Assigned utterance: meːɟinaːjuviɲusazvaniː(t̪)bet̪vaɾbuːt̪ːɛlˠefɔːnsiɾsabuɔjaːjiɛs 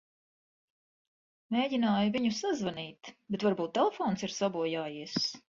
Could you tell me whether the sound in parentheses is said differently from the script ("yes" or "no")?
no